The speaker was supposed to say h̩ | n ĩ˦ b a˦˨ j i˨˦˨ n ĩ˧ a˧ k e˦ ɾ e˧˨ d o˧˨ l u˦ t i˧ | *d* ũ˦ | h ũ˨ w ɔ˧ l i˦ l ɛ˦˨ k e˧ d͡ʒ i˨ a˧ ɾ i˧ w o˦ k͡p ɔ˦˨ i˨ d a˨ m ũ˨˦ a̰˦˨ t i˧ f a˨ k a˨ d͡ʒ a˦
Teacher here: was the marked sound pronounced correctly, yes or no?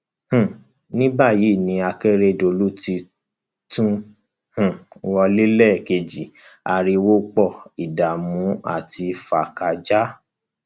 no